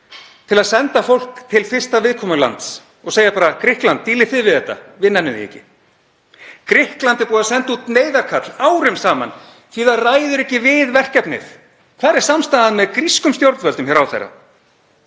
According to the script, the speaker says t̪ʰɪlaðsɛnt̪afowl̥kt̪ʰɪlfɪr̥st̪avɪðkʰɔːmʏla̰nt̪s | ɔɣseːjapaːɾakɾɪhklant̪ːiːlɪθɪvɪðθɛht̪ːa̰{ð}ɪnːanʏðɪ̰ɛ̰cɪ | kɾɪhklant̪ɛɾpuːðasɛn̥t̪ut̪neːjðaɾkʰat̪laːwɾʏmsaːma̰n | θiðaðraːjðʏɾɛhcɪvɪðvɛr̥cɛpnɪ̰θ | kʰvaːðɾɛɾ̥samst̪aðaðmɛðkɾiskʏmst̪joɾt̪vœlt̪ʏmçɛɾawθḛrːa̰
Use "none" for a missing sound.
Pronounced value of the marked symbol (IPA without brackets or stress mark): v